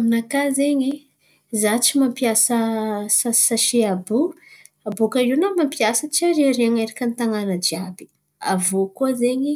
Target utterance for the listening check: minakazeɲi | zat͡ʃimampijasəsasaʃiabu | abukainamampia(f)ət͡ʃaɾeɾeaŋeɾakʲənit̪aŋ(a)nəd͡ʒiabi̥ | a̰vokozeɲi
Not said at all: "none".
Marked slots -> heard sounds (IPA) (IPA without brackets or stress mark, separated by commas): s, a